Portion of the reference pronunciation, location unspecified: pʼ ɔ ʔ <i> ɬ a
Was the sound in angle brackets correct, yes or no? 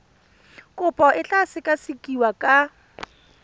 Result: no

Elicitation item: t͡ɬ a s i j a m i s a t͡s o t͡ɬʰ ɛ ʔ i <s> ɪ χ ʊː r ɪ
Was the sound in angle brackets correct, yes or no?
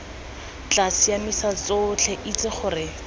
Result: no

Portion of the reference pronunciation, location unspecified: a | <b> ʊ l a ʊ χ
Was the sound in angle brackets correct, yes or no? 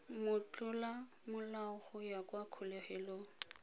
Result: no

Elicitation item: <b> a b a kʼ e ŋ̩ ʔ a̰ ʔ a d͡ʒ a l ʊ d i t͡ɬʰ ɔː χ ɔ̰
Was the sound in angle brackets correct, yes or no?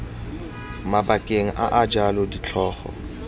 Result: no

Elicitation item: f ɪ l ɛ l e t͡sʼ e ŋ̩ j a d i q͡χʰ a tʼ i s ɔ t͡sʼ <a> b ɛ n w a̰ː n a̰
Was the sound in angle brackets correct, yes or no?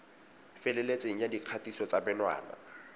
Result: yes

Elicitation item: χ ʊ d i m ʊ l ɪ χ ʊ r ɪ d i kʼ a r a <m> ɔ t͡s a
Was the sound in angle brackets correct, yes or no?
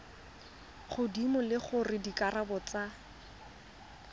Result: no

